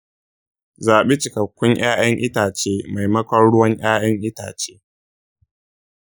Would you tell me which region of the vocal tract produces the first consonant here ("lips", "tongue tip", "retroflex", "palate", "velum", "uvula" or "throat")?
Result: tongue tip